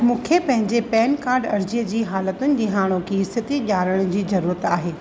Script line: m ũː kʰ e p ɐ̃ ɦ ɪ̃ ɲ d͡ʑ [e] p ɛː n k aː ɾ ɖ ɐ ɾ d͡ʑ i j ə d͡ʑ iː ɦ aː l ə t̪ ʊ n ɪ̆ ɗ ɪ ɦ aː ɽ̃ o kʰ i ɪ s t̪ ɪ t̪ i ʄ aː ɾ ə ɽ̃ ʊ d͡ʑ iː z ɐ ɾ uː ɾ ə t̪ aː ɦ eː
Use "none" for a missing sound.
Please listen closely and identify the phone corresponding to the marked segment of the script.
e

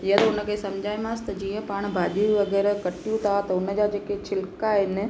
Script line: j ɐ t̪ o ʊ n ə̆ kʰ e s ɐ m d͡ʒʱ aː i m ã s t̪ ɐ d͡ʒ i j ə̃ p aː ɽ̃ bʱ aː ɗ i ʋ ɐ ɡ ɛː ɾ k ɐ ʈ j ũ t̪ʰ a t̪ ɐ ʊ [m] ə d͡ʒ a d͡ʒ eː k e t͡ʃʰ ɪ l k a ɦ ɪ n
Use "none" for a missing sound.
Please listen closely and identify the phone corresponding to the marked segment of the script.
n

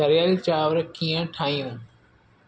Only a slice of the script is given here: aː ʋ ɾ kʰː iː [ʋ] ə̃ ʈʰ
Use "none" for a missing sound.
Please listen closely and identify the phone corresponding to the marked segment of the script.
none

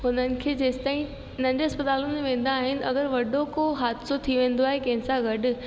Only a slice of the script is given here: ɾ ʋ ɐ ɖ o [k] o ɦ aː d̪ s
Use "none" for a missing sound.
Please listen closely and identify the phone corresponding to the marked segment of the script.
k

